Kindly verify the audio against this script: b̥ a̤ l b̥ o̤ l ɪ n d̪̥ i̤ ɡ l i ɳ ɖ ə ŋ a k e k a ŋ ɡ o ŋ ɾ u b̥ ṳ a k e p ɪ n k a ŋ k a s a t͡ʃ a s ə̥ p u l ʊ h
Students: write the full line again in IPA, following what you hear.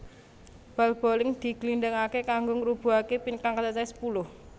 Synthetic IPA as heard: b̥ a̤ l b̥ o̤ l ɪ ŋ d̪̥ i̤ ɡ l i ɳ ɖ ə ŋ a k e k a ŋ ɡ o ŋ ɾ u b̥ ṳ a k e p i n k a ŋ k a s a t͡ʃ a s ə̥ p u l ʊ h